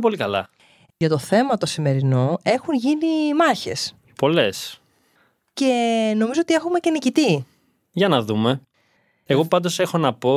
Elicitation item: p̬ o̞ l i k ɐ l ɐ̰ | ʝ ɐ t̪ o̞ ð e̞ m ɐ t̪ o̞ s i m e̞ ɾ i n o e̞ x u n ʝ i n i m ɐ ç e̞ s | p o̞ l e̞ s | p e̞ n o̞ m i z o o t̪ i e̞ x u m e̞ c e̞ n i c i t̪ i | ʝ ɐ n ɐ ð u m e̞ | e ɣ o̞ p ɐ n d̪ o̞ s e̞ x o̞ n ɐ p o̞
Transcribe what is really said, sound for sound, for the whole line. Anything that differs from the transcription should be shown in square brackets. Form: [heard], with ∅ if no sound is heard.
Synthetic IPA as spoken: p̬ o̞ l i k ɐ l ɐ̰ | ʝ ɐ t̪ o̞ [θ] e̞ m ɐ t̪ o̞ s i m e̞ ɾ i n o e̞ x u n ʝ i n i m ɐ ç e̞ s | p o̞ l e̞ s | [c] e̞ n o̞ m i z o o t̪ i e̞ x u m e̞ c e̞ n i c i t̪ i | ʝ ɐ n ɐ ð u m e̞ | e ɣ o̞ p ɐ n d̪ o̞ s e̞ x o̞ n ɐ p o̞